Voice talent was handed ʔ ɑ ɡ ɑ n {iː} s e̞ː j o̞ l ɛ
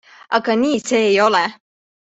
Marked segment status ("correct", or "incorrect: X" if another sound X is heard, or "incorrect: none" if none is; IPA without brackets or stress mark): correct